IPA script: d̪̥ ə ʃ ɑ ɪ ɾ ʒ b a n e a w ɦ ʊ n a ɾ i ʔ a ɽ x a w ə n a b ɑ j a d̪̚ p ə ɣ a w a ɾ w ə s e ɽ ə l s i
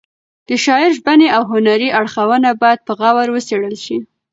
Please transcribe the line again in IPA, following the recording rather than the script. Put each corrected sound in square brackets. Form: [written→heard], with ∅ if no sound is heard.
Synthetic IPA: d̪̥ ə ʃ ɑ ɪ ɾ ʒ b a n e a w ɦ ʊ n a ɾ i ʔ a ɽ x a w ə n a b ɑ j a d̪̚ p ə ɣ a w a ɾ w ə s e ɽ ə l [s→ʃ] i